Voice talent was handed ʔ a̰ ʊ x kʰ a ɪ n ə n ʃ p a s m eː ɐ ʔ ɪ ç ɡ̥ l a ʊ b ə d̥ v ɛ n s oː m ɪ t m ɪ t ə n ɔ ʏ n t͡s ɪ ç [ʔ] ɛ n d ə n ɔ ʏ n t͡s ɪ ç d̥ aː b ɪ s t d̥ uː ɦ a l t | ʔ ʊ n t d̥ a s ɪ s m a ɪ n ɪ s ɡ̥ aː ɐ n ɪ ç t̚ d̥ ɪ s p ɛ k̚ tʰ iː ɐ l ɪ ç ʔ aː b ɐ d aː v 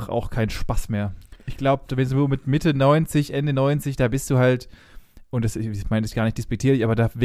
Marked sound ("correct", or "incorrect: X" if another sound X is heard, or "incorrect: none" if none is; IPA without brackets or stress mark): correct